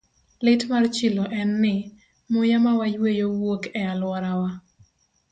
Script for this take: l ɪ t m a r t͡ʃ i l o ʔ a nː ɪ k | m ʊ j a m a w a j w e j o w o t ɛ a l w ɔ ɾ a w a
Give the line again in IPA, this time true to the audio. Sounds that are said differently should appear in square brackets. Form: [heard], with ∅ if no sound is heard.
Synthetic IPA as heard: l ɪ t m a r t͡ʃ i l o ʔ [ɛ] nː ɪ [∅] | m ʊ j a m a w a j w e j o w o [k] ɛ a l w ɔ ɾ a w a